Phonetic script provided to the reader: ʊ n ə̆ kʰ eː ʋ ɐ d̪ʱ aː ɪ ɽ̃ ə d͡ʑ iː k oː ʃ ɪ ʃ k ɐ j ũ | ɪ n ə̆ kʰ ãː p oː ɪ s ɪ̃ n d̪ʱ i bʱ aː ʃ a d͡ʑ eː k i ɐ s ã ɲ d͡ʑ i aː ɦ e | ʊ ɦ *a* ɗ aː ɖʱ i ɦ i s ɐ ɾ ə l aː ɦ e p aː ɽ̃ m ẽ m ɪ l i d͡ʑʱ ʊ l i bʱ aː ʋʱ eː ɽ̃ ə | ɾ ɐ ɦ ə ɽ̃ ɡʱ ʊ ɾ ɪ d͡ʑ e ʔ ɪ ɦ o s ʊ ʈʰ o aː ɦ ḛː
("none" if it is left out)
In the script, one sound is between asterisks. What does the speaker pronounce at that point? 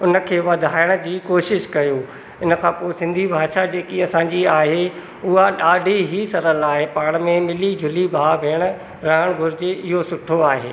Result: a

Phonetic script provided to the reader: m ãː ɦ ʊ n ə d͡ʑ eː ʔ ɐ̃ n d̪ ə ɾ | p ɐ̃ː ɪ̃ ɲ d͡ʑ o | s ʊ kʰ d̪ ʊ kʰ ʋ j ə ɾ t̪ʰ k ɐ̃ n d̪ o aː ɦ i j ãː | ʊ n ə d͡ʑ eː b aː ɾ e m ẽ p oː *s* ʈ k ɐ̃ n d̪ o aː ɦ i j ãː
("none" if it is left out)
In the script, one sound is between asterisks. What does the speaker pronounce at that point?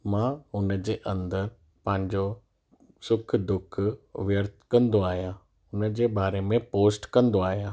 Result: s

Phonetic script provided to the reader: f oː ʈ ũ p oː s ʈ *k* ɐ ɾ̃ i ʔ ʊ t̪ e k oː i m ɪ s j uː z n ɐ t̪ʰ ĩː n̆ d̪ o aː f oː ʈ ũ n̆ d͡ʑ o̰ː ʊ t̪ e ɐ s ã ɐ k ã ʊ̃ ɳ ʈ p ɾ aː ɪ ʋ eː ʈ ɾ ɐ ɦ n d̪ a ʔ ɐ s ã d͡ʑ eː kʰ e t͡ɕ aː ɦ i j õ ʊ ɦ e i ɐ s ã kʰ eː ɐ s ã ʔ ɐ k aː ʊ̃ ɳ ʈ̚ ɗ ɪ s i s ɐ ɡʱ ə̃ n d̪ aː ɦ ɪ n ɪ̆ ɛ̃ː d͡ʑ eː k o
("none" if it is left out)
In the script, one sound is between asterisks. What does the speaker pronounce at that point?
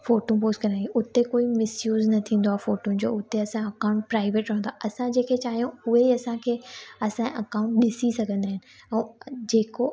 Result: k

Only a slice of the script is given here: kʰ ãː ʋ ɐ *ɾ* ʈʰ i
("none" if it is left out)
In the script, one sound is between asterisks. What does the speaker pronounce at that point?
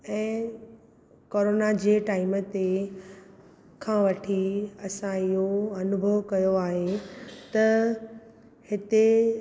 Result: none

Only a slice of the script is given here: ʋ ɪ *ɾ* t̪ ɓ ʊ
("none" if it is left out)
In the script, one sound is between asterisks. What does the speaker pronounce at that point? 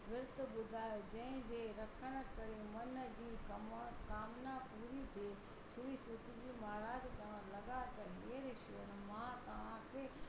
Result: ɾ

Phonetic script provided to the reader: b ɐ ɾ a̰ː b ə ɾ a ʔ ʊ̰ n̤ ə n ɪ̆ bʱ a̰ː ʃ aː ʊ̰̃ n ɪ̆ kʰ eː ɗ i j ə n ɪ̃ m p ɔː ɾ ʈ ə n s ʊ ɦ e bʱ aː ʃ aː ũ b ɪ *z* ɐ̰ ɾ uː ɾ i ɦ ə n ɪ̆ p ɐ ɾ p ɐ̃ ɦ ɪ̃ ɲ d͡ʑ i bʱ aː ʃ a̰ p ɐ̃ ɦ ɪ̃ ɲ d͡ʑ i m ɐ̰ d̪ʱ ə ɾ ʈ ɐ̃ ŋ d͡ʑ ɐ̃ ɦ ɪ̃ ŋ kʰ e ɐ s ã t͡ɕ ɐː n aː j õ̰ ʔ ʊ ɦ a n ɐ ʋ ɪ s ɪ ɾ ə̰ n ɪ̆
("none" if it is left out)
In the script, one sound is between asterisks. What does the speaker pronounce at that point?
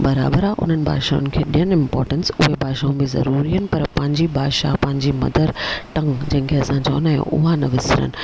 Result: z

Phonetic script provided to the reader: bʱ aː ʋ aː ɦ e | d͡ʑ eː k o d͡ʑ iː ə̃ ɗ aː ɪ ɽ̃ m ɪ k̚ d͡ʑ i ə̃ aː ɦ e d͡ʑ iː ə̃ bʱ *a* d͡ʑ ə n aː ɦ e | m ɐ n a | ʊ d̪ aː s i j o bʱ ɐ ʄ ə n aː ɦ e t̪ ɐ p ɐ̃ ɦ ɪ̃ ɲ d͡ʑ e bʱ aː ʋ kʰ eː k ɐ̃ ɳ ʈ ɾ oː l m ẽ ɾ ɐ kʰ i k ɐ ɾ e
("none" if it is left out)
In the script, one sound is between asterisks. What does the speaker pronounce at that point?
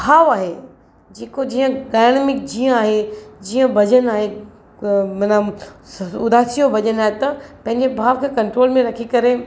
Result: ɐ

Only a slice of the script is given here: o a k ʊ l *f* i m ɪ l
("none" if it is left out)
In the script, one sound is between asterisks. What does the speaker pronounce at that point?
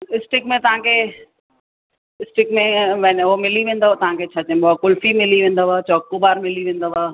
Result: f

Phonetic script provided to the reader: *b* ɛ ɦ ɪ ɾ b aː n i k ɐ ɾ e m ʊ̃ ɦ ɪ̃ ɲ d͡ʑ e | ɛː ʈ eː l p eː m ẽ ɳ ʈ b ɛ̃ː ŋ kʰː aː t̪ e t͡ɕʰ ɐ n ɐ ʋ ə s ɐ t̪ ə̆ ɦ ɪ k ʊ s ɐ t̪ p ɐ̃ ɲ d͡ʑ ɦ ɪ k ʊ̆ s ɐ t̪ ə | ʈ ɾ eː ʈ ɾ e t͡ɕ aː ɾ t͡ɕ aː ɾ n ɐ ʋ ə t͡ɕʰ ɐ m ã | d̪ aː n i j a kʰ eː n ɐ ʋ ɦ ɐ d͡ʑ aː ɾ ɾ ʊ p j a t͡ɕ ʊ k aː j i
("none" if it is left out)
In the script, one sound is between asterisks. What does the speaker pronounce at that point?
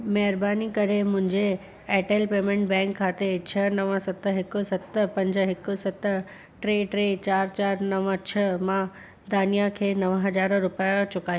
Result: m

